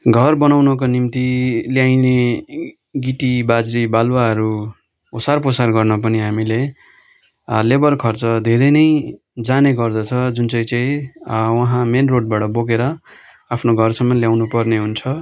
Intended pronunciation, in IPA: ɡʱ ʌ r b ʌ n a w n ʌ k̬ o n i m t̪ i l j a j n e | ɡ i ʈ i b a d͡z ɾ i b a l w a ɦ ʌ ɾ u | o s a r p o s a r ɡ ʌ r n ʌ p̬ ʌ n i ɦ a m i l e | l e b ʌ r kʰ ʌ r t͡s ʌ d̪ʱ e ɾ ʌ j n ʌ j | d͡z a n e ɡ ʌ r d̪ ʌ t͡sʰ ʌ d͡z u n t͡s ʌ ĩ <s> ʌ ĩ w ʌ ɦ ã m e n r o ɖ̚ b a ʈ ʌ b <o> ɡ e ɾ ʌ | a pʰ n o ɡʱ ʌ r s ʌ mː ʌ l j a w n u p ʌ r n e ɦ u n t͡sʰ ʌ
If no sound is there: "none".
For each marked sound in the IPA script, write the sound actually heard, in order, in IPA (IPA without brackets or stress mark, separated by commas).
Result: t͡s, o